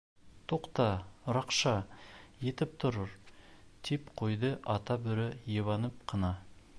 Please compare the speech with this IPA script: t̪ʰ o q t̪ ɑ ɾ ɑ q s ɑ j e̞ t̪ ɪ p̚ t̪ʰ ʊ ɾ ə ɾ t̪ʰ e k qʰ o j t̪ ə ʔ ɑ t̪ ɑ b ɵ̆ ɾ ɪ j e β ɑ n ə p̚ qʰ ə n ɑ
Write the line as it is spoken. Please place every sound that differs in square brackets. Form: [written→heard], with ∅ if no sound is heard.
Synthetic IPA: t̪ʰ o q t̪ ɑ ɾ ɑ q [s→ʃ] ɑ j e̞ t̪ ɪ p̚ t̪ʰ ʊ ɾ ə ɾ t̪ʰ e [k→p] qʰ o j [t̪→d̪] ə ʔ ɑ t̪ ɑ b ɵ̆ ɾ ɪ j e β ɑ n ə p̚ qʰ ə n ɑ